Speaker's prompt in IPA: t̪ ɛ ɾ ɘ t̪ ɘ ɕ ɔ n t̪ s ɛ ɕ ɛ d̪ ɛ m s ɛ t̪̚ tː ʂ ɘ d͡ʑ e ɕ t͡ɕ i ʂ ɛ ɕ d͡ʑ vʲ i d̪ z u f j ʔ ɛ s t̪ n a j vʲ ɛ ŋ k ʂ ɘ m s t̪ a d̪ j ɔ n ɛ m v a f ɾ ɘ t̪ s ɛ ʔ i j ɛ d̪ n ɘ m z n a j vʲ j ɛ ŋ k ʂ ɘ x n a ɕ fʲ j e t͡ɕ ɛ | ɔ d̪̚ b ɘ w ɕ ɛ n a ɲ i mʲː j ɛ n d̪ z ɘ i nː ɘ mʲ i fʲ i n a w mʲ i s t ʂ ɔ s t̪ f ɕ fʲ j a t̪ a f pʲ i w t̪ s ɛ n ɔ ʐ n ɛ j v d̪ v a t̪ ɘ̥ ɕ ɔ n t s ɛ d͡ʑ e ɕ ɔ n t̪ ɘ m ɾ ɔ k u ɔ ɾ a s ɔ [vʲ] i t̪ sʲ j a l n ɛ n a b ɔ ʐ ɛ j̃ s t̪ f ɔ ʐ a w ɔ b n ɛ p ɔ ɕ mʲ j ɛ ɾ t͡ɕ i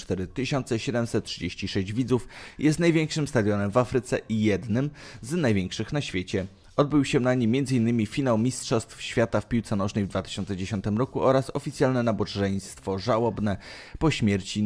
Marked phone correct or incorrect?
incorrect